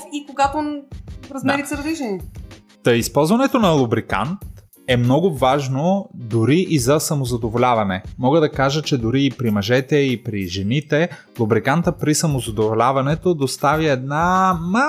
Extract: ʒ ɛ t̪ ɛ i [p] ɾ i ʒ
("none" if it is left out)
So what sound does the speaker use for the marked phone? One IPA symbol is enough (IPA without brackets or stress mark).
p